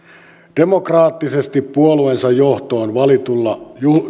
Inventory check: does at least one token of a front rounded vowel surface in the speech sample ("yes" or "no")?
no